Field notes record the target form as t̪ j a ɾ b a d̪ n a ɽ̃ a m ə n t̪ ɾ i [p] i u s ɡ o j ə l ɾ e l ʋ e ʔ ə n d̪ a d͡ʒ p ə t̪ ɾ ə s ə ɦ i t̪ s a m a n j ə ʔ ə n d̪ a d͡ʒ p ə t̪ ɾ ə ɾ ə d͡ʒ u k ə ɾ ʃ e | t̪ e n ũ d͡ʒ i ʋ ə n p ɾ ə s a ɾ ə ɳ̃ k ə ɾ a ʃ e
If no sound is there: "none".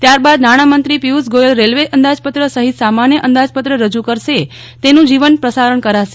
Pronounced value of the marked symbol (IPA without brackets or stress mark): p